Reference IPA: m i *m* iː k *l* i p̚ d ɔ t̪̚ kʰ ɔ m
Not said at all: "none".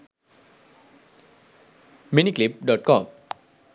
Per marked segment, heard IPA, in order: n, l

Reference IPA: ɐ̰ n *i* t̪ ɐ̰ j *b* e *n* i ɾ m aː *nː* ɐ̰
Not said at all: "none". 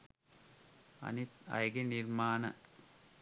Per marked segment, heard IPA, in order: i, ɡ, n, n

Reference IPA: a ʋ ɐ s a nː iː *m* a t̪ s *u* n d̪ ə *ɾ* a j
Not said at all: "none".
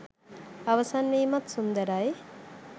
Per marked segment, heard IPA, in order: m, u, ɾ

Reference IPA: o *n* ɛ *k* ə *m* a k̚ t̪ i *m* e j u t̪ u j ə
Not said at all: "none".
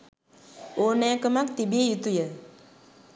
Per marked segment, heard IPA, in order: n, k, m, b

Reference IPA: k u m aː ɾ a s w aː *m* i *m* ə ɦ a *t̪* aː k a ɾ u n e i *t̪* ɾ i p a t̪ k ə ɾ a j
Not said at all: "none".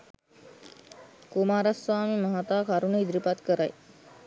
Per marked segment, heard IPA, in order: m, m, t̪, d̪

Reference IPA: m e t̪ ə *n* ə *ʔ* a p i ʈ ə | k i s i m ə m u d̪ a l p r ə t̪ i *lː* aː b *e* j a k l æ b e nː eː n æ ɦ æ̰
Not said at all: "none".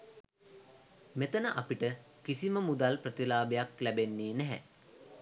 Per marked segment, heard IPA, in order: n, ʔ, l, e

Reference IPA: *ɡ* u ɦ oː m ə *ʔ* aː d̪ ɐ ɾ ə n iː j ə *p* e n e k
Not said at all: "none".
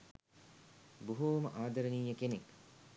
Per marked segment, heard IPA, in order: b, ʔ, k

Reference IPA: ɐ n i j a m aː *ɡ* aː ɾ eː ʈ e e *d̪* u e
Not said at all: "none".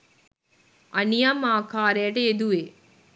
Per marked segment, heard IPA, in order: k, d̪

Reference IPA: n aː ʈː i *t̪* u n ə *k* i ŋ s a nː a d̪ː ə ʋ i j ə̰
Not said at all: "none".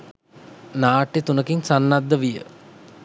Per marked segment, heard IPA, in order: t̪, k

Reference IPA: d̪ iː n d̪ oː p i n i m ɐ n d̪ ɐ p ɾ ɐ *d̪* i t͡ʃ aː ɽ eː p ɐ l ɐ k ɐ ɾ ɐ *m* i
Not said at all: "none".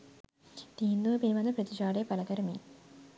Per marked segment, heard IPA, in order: t̪, m

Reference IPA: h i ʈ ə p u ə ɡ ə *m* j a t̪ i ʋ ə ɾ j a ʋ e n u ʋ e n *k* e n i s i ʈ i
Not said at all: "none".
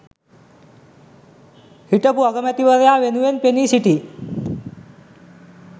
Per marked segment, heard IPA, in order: m, p

